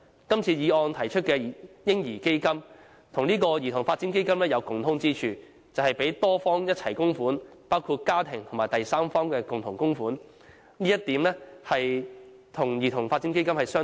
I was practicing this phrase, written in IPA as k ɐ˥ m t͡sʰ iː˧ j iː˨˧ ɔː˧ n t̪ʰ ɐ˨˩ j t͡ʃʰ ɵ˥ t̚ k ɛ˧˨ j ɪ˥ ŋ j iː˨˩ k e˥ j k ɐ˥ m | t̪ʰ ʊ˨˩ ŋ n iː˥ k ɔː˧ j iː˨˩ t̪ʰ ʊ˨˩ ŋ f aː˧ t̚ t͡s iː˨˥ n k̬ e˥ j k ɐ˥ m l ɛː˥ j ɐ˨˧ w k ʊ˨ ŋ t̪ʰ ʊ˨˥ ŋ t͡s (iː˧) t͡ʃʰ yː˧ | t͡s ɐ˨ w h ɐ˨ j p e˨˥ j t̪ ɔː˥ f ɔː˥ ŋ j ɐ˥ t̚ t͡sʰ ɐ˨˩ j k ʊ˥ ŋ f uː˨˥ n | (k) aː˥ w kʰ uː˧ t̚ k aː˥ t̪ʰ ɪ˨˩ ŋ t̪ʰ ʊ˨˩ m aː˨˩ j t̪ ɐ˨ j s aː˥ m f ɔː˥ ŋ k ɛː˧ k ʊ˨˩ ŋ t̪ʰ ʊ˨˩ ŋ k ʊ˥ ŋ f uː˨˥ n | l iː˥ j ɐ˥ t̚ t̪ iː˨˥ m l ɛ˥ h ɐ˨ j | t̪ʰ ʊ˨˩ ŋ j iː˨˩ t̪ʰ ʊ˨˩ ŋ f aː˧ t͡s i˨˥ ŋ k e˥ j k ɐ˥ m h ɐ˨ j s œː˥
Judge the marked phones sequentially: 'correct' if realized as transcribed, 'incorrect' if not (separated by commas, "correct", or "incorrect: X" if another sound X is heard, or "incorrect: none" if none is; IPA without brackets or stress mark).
incorrect: iː˥, incorrect: p